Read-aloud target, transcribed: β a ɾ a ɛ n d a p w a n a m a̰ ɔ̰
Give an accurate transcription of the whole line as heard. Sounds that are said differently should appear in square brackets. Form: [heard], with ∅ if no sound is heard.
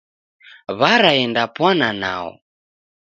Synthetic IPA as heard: β a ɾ a ɛ n d a p w a n a [n] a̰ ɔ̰